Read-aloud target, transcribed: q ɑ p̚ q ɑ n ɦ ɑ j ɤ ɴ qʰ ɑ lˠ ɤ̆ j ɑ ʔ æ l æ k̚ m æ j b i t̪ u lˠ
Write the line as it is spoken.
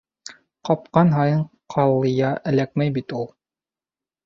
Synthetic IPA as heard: q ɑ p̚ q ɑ n ɦ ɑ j ɤ ɴ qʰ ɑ lˠ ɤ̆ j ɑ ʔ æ l æ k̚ m æ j b i t̪ u lˠ